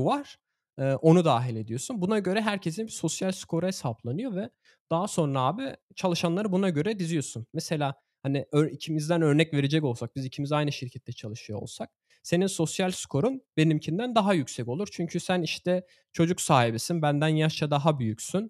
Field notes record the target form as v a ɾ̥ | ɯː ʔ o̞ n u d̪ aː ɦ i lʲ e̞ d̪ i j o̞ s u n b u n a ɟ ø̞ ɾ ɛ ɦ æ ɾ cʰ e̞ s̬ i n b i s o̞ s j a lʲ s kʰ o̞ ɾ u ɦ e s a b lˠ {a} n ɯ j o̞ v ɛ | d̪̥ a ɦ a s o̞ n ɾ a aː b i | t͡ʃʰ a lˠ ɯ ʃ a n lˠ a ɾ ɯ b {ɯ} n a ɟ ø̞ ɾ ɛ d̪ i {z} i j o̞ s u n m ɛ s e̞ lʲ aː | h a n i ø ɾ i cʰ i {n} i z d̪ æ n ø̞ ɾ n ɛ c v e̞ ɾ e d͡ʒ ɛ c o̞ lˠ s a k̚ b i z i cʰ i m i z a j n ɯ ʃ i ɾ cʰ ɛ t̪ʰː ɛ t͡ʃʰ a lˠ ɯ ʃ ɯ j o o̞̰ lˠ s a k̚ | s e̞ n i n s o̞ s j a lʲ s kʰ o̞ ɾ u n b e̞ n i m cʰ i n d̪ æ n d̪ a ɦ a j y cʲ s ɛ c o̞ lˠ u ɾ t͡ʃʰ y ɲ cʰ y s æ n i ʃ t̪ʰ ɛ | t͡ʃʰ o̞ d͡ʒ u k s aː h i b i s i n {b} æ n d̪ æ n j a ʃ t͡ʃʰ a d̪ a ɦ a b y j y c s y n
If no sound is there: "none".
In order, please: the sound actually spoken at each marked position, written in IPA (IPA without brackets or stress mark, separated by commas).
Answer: a, u, z, m, b